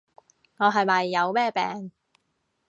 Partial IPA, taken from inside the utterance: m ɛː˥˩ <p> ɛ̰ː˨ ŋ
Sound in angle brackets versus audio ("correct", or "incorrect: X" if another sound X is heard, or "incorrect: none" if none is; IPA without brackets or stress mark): correct